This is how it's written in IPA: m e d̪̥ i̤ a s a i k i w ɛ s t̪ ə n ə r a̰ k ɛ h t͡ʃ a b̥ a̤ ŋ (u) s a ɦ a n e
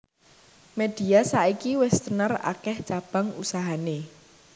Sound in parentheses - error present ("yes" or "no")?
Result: no